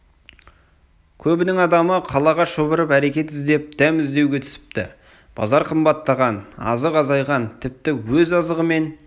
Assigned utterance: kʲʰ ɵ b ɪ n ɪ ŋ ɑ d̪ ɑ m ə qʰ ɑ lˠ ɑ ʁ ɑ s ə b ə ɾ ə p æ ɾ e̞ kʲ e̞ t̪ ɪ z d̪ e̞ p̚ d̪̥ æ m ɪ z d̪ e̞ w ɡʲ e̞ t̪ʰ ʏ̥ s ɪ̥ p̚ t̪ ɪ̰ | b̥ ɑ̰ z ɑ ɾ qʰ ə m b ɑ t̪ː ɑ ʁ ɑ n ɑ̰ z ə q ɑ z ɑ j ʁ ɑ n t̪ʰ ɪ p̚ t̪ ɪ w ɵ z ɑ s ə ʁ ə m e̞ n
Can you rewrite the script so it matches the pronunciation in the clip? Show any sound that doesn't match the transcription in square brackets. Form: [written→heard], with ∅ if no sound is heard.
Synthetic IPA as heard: kʲʰ ɵ b ɪ n ɪ ŋ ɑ d̪ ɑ m ə qʰ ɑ lˠ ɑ ʁ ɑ [s→ʃ] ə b ə ɾ ə p æ ɾ e̞ kʲ e̞ t̪ ɪ z d̪ e̞ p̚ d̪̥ æ m ɪ z d̪ e̞ w ɡʲ e̞ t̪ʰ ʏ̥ s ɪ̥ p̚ t̪ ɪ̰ | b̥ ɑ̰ z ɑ ɾ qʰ ə m b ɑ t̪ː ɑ ʁ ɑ n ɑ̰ z ə q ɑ z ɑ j ʁ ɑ n t̪ʰ ɪ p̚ t̪ ɪ w ɵ z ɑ [s→z] ə ʁ ə m e̞ n